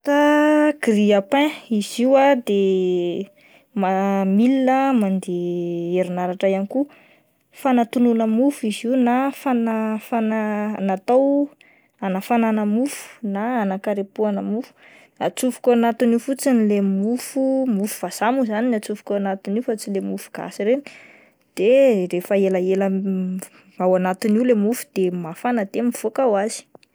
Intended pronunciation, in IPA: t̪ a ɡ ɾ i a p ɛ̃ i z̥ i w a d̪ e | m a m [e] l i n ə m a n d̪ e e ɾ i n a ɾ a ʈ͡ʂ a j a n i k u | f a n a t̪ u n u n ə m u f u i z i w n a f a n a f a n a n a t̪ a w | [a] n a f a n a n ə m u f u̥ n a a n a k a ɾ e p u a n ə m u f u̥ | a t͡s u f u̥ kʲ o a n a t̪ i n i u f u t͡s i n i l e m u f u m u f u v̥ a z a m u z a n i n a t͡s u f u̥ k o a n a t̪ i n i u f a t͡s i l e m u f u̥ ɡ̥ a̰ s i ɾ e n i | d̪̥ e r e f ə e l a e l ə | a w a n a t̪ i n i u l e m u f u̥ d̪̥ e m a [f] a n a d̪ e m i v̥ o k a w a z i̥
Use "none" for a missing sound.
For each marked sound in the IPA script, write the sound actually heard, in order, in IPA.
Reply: i, a, f

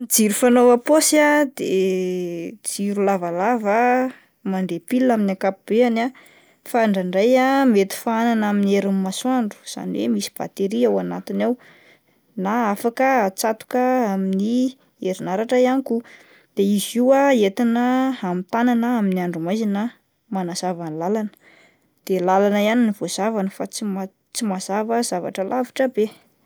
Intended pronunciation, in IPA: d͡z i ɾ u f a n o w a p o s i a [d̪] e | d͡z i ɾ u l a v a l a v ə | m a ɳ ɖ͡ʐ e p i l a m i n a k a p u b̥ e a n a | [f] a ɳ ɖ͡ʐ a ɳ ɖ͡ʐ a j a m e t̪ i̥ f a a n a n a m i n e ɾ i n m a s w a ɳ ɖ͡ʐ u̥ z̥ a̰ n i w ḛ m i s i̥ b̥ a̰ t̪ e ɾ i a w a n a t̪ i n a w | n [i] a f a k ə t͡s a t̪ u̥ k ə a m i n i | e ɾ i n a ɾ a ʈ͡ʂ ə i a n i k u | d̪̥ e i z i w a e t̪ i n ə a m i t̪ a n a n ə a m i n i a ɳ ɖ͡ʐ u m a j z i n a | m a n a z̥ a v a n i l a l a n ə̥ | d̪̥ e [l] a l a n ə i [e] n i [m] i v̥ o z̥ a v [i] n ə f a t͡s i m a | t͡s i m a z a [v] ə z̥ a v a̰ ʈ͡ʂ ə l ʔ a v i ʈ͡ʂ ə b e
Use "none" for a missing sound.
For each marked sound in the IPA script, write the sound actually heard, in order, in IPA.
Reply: d̪, f, a, l, a, n, a, v

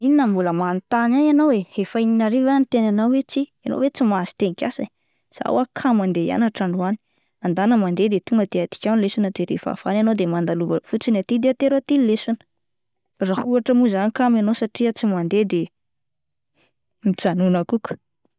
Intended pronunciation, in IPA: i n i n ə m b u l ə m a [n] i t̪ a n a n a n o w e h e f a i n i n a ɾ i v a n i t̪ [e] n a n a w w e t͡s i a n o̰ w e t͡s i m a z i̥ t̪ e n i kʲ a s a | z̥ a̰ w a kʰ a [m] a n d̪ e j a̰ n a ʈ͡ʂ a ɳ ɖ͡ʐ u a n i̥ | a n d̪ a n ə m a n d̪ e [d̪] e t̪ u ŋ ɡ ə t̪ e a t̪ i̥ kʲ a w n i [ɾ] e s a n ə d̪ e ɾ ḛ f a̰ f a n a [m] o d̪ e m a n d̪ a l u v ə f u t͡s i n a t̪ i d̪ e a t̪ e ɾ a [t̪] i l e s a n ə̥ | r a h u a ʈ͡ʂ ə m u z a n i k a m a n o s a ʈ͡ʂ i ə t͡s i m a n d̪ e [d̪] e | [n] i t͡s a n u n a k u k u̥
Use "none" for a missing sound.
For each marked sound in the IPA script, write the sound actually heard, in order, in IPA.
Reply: n, e, m, d̪, l, n, t̪, d̪, m

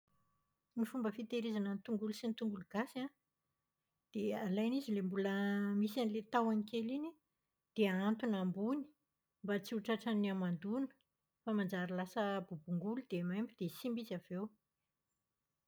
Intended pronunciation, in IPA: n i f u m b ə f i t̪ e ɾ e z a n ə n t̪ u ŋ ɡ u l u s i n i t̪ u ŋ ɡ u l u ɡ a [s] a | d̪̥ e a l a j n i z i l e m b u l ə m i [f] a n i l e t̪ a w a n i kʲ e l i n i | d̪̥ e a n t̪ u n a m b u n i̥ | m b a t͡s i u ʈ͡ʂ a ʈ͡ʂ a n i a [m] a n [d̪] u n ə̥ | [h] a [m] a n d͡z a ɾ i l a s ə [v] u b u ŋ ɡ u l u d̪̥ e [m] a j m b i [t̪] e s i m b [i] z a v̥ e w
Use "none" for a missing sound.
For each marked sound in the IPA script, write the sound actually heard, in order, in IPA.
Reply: s, s, m, d̪, f, m, b, m, d̪, i

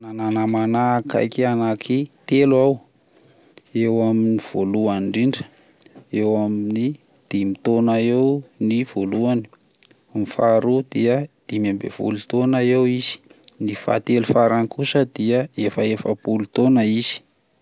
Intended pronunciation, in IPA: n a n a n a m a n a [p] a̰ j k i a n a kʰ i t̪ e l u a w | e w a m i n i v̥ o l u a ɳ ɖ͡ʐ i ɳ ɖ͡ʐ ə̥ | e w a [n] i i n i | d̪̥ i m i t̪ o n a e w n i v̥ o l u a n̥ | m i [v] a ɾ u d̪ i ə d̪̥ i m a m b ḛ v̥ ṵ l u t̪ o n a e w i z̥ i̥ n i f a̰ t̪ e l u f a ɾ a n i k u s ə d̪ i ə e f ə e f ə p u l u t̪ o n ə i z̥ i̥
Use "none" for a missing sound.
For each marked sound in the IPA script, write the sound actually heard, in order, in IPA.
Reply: k, m, f

